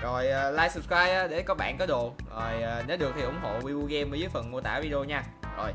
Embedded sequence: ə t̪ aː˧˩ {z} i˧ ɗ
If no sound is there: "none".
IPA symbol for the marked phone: v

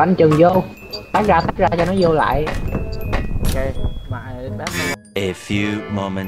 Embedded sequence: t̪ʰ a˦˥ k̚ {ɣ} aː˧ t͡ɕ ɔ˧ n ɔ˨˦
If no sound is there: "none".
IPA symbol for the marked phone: z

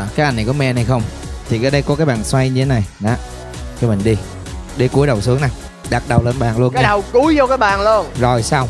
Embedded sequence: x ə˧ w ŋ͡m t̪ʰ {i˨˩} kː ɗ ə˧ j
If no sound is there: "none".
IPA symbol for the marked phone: i˨˩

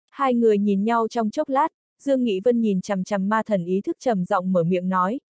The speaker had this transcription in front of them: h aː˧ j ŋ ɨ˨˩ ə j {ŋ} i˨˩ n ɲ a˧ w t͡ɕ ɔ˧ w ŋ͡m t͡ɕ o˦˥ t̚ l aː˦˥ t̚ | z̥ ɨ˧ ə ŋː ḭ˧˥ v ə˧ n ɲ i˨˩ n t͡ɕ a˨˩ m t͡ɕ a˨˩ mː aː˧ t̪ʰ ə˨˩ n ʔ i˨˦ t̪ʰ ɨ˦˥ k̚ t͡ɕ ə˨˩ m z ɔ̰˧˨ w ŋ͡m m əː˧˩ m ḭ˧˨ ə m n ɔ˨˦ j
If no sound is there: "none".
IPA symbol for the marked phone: ɲ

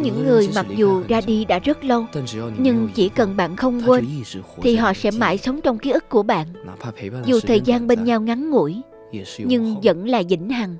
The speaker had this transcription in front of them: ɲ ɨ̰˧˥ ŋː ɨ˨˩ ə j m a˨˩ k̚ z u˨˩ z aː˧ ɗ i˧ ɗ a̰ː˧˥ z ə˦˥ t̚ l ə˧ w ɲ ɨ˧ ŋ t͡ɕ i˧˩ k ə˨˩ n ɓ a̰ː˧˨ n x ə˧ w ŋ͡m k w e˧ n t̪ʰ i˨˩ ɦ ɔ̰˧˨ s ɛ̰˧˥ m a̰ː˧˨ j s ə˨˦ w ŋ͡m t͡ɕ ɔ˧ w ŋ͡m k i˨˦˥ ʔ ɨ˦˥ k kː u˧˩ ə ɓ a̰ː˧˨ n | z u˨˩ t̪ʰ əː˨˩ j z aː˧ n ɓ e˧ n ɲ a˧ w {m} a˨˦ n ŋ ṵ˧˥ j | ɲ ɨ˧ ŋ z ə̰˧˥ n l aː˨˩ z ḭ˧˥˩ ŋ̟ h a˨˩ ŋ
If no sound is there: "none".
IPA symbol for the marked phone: ŋ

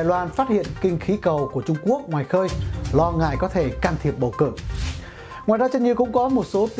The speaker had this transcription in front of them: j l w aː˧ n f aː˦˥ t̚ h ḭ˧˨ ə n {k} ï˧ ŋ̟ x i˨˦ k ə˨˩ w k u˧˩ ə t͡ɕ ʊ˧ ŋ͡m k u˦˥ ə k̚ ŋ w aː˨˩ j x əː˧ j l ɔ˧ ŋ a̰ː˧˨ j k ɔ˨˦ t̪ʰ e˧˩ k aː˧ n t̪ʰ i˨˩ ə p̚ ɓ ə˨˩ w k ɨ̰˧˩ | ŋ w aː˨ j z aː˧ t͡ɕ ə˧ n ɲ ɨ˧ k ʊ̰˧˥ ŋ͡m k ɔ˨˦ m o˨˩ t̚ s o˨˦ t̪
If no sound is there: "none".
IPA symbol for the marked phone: k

